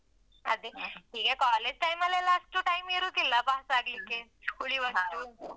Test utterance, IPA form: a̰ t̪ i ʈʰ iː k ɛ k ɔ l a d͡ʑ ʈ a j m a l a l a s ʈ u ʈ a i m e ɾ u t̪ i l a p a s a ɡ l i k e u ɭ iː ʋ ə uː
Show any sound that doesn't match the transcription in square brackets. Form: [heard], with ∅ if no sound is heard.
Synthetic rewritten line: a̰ [d̪] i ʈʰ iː k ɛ k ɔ l [e] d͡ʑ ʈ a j m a l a l a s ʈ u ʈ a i m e ɾ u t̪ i l a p a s a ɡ l i k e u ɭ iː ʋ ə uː